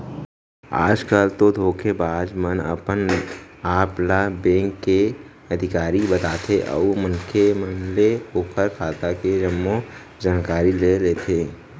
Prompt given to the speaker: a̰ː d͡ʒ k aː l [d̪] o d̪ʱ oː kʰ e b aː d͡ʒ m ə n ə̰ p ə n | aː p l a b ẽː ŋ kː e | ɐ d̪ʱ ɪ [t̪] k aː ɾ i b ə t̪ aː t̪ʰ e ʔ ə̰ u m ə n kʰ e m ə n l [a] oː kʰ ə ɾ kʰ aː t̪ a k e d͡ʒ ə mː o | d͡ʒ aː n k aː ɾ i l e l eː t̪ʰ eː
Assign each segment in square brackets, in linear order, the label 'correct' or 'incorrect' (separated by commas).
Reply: incorrect, incorrect, incorrect